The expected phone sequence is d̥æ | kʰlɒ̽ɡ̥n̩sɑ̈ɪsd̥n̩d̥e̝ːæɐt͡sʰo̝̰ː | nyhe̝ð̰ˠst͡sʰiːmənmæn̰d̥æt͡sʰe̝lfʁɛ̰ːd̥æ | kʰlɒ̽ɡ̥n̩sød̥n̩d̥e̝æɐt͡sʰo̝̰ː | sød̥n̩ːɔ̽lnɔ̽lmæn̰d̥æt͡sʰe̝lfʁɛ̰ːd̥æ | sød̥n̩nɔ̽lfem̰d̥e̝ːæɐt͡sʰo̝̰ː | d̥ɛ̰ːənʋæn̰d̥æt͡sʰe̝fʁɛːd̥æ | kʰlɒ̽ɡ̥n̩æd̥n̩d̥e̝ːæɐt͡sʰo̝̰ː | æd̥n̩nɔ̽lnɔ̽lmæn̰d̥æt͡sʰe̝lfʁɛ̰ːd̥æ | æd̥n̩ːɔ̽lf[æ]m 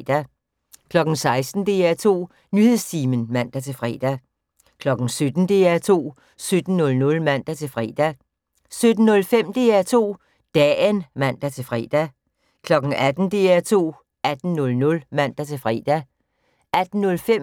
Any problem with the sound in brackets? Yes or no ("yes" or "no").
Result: yes